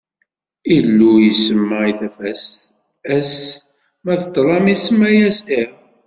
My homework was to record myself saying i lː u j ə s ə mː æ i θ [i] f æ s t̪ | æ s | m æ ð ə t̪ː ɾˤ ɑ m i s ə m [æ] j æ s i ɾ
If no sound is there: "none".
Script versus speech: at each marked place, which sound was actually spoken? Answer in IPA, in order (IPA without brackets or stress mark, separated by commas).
æ, æ